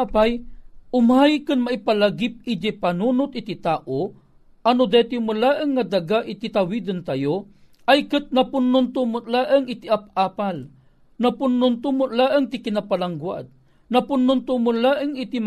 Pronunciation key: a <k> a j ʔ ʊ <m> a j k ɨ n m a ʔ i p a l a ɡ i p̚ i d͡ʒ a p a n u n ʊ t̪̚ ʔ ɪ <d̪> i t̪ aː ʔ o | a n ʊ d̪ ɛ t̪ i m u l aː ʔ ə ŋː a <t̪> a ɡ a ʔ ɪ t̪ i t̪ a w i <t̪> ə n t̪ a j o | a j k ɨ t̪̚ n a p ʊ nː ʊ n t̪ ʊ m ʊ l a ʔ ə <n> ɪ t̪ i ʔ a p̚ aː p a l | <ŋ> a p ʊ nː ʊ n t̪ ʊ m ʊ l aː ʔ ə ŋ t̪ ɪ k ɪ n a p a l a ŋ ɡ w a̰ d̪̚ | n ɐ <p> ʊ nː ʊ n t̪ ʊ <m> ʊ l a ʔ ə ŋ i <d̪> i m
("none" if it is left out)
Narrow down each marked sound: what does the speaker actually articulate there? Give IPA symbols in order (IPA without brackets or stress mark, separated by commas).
p, m, t̪, d̪, d̪, ŋ, n, p, m, t̪